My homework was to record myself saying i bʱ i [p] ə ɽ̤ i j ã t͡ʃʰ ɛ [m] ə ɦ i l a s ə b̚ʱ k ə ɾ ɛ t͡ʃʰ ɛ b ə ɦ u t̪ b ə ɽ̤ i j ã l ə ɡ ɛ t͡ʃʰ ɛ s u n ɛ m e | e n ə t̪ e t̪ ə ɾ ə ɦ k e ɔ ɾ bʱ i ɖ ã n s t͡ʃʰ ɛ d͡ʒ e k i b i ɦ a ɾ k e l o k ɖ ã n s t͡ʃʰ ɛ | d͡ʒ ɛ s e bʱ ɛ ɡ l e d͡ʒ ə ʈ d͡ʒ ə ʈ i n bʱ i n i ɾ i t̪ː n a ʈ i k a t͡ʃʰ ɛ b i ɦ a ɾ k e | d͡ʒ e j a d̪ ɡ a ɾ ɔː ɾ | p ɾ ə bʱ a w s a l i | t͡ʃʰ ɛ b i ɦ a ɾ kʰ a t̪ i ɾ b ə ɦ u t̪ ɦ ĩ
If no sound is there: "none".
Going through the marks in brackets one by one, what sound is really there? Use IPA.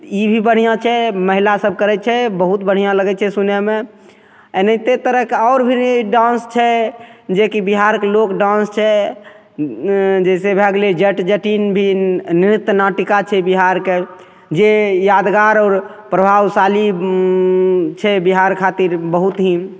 b, m

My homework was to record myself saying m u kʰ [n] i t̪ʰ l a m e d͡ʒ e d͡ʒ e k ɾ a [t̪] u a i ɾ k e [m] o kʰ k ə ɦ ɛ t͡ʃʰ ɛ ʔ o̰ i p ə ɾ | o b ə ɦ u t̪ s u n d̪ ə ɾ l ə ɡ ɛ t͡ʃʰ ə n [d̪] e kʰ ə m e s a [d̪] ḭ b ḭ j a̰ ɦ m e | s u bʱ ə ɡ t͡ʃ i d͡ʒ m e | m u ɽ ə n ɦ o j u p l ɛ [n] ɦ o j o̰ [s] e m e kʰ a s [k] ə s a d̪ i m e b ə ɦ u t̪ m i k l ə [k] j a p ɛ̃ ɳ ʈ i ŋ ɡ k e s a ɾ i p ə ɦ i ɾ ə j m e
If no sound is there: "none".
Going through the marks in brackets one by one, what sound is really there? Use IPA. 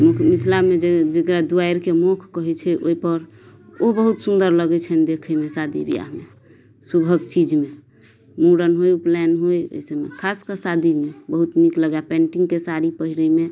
m, d̪, m, d̪, d̪, n, s, k, ɡ

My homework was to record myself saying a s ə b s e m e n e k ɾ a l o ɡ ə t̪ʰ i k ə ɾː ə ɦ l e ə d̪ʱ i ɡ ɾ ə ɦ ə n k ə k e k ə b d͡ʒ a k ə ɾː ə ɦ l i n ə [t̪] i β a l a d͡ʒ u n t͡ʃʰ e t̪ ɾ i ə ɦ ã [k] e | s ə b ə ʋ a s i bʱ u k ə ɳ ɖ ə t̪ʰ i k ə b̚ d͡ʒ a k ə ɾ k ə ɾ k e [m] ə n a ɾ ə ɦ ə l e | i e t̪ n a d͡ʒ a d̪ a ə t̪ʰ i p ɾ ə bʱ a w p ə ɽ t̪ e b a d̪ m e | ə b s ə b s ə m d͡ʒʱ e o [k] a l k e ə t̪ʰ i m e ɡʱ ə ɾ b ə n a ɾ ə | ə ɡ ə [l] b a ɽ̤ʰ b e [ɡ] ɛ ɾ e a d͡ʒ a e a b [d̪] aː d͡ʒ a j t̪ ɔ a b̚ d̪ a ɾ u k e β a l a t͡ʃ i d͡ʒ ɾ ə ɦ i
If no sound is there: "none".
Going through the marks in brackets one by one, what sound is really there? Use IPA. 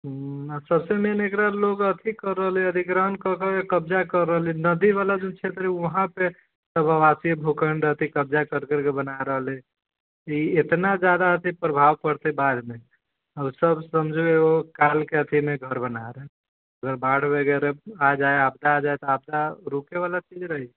d̪, p, b, k, ɾ, ɡ, d̪

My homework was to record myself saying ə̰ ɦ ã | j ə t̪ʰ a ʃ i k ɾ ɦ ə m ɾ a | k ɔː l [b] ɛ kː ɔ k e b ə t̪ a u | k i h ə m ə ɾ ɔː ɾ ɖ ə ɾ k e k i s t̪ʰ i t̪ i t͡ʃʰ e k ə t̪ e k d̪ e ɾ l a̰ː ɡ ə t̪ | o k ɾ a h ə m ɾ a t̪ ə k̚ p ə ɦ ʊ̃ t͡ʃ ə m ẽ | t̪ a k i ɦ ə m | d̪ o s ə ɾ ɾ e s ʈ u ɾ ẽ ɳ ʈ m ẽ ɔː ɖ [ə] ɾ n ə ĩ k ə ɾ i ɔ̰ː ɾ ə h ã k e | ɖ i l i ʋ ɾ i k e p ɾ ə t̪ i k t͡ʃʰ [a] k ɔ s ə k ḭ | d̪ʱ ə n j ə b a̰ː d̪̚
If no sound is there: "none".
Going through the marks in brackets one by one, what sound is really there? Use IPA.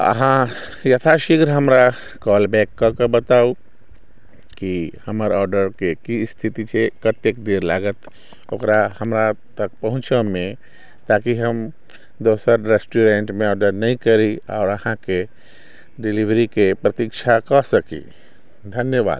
b, ə, a

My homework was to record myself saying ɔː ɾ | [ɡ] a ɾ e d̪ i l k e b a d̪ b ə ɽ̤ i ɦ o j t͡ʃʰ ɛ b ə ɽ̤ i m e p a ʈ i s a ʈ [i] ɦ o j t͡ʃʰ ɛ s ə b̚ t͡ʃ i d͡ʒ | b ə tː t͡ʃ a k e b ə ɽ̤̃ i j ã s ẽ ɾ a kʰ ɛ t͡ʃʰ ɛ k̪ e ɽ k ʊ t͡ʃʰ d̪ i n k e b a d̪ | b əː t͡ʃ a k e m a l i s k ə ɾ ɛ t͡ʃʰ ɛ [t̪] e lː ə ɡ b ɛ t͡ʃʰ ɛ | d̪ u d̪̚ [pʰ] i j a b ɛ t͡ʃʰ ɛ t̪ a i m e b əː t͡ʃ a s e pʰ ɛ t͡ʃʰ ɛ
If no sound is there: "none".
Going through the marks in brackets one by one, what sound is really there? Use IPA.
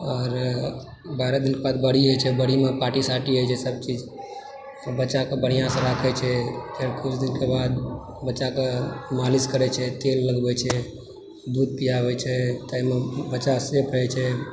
b, i, t̪, p

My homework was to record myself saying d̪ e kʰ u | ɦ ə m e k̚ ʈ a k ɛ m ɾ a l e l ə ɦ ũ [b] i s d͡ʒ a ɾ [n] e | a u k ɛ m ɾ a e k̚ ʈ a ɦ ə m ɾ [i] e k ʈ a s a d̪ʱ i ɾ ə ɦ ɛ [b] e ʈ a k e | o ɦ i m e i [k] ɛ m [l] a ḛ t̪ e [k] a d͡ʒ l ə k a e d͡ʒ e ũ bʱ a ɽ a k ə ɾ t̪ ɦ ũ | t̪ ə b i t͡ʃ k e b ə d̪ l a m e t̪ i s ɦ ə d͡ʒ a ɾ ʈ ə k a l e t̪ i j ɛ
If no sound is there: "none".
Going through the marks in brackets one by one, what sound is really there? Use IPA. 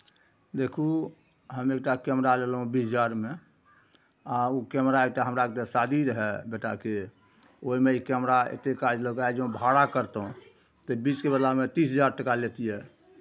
b, m, a, b, k, ɾ, k

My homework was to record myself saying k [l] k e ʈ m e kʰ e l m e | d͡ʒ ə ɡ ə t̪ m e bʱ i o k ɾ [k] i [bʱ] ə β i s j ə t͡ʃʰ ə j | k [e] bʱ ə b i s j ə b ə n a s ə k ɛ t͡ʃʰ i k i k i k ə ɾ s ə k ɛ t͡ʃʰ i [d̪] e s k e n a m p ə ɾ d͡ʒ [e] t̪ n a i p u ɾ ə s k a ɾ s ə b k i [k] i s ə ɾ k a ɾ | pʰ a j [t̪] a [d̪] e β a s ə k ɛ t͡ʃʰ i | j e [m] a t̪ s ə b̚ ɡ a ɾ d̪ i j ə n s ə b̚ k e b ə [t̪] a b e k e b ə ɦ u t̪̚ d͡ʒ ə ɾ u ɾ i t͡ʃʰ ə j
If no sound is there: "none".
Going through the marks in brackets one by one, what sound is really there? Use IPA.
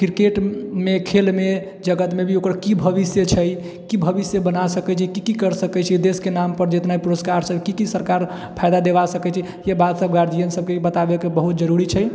ɾ, k, bʱ, i, d̪, e, k, d̪, d̪, b, t̪

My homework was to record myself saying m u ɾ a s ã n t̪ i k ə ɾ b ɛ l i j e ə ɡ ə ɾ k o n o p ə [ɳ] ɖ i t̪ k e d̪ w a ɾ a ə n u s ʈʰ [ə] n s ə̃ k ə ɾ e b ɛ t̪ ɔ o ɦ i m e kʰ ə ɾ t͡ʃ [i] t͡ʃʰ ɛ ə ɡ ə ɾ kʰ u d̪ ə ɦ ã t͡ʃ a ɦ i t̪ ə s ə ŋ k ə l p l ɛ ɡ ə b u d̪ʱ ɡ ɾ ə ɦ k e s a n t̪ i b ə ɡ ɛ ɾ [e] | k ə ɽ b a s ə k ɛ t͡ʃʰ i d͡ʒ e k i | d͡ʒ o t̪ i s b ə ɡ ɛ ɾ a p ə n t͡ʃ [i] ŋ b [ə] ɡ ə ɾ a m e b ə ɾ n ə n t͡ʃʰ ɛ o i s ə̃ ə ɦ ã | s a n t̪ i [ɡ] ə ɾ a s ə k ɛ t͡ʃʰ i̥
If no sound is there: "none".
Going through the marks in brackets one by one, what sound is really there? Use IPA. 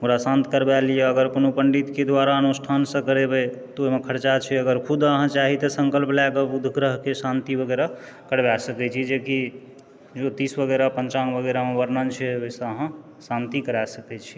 ɳ, a, a, a, a, ə, k

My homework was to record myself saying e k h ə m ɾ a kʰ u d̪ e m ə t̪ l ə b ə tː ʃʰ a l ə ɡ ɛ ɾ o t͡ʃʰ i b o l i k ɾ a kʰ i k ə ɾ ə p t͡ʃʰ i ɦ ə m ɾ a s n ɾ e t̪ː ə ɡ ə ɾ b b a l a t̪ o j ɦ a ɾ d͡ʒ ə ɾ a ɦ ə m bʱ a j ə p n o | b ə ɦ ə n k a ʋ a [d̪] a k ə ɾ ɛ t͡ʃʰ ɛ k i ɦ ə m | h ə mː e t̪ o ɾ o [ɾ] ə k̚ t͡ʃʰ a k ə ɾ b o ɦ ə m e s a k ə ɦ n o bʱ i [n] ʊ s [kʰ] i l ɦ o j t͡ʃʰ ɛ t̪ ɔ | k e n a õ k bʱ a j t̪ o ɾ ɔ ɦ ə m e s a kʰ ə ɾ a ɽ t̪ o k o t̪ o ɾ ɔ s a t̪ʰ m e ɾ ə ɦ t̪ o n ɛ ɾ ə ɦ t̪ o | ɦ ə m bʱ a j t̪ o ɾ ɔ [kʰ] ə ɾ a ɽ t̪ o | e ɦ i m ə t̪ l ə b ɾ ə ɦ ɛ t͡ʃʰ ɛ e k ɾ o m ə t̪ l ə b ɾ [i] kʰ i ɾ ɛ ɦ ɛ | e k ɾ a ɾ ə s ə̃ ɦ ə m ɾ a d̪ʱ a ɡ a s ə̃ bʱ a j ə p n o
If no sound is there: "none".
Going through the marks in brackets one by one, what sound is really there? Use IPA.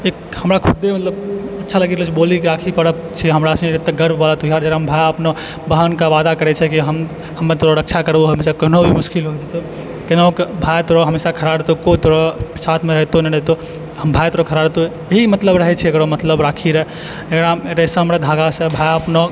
d̪, ɾ, m, k, kʰ, a

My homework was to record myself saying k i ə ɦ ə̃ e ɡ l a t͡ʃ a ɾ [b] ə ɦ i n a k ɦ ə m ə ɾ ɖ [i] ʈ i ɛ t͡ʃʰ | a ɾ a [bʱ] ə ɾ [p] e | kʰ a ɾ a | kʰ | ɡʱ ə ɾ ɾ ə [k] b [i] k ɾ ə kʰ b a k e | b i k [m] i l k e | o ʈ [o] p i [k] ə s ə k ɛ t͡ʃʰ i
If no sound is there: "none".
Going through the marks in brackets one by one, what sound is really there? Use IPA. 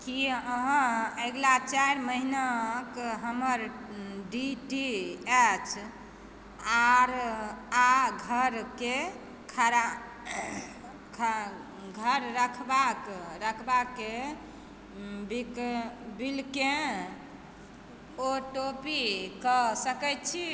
m, i, ɡʱ, k, kʰ, a, b, o, k

